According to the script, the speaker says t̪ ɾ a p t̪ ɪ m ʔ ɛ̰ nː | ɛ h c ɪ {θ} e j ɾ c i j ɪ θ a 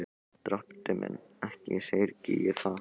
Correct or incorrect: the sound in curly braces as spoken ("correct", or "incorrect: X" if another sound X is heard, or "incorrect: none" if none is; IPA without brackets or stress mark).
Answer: incorrect: s